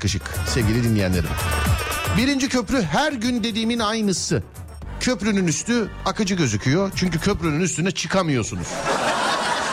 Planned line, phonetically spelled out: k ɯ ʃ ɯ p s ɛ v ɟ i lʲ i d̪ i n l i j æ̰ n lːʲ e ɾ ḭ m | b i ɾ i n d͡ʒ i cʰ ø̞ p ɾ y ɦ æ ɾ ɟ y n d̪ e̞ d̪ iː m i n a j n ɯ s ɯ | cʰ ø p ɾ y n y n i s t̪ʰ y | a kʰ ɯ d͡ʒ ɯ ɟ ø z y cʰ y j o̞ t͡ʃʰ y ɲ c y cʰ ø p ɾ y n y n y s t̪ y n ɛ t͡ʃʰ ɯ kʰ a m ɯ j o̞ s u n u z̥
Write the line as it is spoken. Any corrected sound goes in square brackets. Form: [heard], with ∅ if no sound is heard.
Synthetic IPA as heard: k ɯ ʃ ɯ [k] s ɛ v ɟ i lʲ i d̪ i n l i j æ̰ n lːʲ e ɾ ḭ m | b i ɾ i n d͡ʒ i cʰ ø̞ p ɾ y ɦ æ ɾ ɟ y n d̪ e̞ d̪ iː m i n a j n ɯ s ɯ | cʰ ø p ɾ y n y n [y] s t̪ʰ y | a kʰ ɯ d͡ʒ ɯ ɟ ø z y cʰ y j o̞ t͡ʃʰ y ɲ c y cʰ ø p ɾ y n y n y s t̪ y n ɛ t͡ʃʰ ɯ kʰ a m ɯ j o̞ s u n u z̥